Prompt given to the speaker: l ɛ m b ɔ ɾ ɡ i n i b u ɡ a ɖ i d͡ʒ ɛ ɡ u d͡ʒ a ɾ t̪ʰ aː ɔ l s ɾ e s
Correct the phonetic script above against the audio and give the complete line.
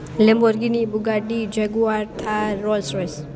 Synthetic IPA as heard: l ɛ m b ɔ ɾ ɡ i n i b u ɡ a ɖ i d͡ʒ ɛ ɡ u a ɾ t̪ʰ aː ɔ l s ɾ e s

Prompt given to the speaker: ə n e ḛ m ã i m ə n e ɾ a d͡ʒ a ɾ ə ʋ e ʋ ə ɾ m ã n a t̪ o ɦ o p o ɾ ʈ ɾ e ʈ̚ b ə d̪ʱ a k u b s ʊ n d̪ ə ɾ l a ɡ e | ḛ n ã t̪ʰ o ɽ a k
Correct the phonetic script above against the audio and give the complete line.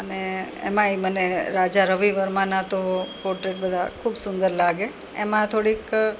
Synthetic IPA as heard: ə n e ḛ m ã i m ə n e ɾ a d͡ʒ a ɾ ə ʋ i ʋ ə ɾ m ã n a t̪ o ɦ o p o ɾ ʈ ɾ e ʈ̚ b ə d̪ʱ a kʰ u b s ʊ n d̪ ə ɾ l a ɡ e | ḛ m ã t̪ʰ o ɽ i k

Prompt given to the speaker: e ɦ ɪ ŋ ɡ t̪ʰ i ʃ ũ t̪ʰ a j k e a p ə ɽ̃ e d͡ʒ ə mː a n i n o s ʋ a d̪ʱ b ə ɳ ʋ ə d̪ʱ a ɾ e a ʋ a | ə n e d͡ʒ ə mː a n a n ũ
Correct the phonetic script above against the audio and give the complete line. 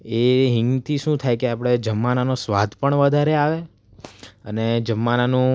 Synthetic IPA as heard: e ɦ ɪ ŋ ɡ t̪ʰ i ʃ ũ t̪ʰ a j k e a p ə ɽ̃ e d͡ʒ ə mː a n a n o s ʋ a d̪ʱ p ə ɳ ʋ ə d̪ʱ a ɾ e a ʋ e | ə n e d͡ʒ ə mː a n a n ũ

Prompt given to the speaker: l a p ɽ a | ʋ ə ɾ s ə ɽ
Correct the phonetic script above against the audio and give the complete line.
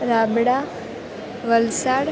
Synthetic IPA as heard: ɾ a b ɽ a | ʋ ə l s a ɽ

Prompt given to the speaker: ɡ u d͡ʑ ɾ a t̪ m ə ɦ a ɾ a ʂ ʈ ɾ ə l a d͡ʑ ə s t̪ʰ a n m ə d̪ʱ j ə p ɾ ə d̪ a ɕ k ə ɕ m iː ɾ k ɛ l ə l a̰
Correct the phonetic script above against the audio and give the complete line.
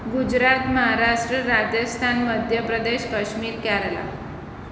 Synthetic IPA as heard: ɡ u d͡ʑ ɾ a t̪ m ə ɦ a ɾ a ʂ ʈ ɾ ə ɾ a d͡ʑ ə s t̪ʰ a n m ə d̪ʱ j ə p ɾ ə d̪ e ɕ k ə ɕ m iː ɾ k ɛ ɾ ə l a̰

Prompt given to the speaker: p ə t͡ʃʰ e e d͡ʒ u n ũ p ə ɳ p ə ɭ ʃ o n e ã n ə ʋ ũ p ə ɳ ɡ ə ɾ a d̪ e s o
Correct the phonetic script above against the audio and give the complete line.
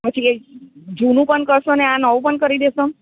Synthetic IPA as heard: p ə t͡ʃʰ i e d͡ʒ u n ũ p ə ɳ k ə ɾ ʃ o n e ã n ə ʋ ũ p ə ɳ k ə ɾ i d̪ e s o

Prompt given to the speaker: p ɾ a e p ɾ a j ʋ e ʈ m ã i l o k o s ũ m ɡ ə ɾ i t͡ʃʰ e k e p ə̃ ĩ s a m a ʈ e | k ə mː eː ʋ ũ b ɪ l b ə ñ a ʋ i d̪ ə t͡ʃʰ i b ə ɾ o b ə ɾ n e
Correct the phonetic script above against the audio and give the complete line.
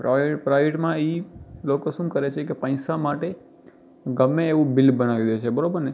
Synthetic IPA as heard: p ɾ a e p ɾ a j ʋ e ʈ m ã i l o k o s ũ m k ə ɾ e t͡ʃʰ e k e p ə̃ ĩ s a m a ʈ e | ɡ ə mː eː ʋ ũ b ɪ l b ə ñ a ʋ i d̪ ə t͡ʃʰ e b ə ɾ o b ə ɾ n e

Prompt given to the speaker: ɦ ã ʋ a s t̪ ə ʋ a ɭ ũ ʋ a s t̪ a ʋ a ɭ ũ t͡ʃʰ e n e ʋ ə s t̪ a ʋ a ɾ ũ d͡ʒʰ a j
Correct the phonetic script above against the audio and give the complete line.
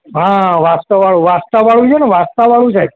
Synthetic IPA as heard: ɦ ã ʋ a s t̪ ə ʋ a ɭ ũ ʋ a s t̪ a ʋ a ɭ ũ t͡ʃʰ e n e ʋ a s t̪ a ʋ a ɭ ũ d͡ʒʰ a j

